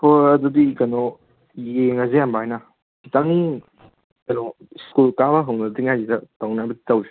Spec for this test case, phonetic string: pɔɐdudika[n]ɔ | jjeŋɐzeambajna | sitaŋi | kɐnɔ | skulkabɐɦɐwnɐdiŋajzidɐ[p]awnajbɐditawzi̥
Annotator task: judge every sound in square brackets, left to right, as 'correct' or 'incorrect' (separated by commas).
correct, incorrect